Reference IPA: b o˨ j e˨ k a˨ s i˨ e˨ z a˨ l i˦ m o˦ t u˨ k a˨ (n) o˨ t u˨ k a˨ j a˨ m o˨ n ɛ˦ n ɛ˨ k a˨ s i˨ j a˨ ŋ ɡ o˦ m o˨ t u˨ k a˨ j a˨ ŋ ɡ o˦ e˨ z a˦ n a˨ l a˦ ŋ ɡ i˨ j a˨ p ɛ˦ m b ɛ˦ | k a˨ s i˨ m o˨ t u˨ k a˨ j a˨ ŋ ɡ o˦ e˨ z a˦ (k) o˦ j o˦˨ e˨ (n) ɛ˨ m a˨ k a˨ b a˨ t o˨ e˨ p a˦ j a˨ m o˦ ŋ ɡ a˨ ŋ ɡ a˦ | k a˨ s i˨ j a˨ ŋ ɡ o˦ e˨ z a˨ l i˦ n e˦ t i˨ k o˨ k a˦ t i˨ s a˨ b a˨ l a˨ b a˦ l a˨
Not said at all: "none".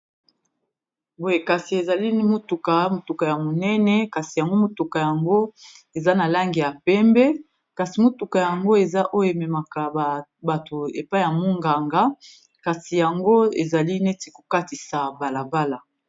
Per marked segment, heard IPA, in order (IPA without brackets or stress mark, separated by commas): m, ʔ, m